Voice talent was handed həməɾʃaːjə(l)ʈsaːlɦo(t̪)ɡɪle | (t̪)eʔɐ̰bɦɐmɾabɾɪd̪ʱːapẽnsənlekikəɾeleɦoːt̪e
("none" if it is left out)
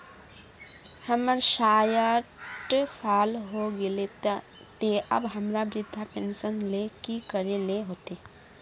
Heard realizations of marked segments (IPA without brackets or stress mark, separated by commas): none, none, t̪